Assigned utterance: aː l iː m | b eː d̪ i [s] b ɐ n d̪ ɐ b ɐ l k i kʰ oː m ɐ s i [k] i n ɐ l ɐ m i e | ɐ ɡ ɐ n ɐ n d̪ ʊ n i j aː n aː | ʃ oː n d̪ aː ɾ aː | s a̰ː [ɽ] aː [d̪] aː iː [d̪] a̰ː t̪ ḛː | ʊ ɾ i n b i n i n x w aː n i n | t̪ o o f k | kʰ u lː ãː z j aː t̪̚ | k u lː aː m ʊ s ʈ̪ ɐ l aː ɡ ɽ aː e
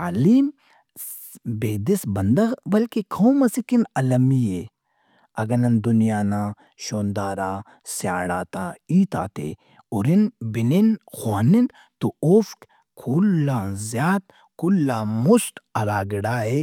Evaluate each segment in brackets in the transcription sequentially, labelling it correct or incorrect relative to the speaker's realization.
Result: correct, correct, correct, incorrect: t̪, incorrect: t̪

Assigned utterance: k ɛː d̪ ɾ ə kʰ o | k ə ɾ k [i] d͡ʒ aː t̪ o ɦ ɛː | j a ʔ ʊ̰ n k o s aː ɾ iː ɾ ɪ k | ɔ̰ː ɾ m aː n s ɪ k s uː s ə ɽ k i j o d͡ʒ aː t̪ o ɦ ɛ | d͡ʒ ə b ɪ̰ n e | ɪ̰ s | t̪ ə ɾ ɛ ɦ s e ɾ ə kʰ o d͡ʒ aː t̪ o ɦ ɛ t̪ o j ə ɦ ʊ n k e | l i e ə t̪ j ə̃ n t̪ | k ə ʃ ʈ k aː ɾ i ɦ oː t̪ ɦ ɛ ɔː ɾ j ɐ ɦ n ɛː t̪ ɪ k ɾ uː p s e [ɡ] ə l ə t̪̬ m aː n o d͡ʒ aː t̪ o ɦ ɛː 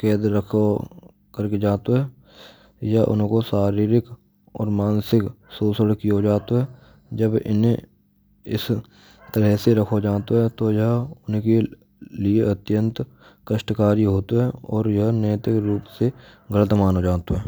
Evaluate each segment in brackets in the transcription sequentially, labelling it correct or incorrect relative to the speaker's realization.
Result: incorrect: e, correct

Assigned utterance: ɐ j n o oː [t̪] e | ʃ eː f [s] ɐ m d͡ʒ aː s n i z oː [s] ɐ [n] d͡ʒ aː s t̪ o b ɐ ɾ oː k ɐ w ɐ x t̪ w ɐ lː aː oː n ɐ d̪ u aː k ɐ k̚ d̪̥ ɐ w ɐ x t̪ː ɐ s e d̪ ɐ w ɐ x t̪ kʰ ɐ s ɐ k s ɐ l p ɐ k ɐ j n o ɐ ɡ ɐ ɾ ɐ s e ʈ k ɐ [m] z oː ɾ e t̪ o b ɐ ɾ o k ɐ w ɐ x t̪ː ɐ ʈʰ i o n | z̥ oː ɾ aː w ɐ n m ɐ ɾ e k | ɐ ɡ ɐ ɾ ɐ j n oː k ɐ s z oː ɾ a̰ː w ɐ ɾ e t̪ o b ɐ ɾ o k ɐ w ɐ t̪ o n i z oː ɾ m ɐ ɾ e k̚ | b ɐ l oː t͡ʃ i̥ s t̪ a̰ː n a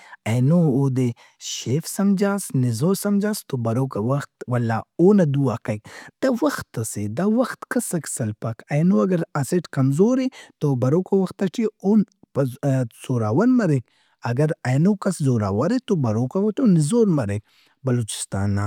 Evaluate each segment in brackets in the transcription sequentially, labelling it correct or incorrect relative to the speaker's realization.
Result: incorrect: d̪, correct, correct, incorrect: m, correct

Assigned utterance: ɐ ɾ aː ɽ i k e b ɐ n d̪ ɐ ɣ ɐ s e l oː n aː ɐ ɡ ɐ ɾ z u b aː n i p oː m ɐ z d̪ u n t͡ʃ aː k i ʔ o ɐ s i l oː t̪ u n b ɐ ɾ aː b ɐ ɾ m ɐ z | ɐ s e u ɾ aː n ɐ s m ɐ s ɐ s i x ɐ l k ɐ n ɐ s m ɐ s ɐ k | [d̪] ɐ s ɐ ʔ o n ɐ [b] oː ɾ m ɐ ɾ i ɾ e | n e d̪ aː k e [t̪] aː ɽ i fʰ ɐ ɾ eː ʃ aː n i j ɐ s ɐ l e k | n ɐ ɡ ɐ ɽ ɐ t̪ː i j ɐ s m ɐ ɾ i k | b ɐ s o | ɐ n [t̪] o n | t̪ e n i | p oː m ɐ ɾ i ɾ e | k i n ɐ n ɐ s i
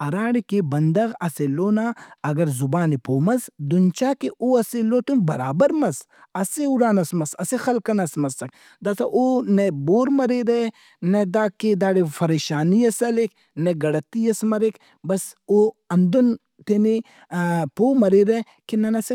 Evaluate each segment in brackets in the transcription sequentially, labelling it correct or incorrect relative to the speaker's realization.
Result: correct, correct, incorrect: d̪, incorrect: d̪

